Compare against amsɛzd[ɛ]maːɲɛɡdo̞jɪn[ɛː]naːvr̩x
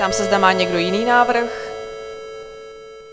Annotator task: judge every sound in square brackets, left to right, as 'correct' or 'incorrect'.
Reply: incorrect, incorrect

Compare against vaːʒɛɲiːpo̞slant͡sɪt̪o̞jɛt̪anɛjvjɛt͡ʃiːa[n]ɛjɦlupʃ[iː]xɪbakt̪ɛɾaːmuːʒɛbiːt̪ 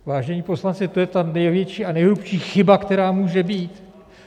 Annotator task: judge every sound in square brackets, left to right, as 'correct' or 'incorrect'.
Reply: correct, correct

